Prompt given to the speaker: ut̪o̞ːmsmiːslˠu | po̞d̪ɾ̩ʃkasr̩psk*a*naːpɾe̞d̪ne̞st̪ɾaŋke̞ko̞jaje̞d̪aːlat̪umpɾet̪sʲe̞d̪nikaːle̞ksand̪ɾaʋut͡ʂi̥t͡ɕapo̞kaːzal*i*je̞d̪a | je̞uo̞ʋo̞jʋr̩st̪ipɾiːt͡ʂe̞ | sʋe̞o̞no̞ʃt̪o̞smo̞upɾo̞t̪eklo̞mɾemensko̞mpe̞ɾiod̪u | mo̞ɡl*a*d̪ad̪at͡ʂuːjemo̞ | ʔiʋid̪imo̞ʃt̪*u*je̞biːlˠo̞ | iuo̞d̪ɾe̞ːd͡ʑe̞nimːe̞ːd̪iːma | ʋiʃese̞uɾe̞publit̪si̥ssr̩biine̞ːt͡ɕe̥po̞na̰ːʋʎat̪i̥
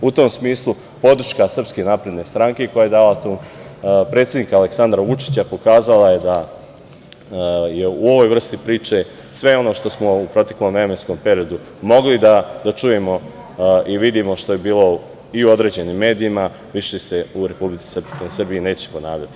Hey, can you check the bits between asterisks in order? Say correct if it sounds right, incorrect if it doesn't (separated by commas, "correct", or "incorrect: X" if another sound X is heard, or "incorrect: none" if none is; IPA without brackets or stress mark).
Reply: incorrect: e, incorrect: a, incorrect: i, incorrect: o